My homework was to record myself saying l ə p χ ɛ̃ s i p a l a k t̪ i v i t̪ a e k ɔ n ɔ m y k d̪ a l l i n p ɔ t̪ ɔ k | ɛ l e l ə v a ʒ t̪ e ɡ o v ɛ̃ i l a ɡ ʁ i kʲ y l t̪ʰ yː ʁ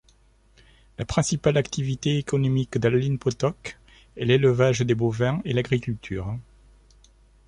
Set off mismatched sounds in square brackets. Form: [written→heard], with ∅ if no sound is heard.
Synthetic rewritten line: l [ə→a] p χ ɛ̃ s i p a l a k t̪ i v i t̪ [a→e] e k ɔ n ɔ m [y→i] k d̪ a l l i n p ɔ t̪ ɔ k | ɛ l e l ə v a ʒ [t̪→d̪] e [ɡ→b] o v ɛ̃ [i→e] l a ɡ ʁ i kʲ y l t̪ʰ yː ʁ